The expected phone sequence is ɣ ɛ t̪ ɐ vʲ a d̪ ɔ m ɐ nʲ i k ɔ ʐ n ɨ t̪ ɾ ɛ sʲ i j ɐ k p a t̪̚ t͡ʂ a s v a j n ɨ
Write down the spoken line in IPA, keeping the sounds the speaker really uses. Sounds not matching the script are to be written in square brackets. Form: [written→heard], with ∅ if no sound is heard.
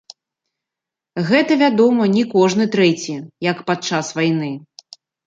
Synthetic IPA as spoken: ɣ ɛ t̪ ɐ vʲ a d̪ ɔ m ɐ nʲ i k ɔ ʐ n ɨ t̪ ɾ ɛ [sʲ→t͡sʲ] i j ɐ k p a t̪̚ t͡ʂ a s v a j n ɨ